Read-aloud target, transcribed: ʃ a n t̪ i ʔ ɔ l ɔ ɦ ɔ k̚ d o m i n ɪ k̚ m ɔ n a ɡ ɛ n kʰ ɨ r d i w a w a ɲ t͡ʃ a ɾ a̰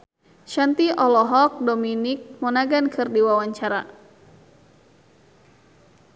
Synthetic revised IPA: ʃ a n t̪ i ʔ ɔ l ɔ ɦ ɔ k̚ d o m i n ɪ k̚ m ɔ n a ɡ a n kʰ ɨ r d i w a w a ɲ t͡ʃ a ɾ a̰